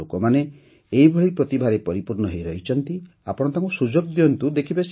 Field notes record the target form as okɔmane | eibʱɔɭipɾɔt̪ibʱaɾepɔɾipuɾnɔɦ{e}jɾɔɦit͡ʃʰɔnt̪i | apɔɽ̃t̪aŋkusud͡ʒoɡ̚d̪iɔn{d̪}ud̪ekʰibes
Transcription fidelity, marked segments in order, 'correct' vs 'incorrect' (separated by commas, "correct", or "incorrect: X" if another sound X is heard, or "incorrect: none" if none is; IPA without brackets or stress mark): correct, incorrect: t̪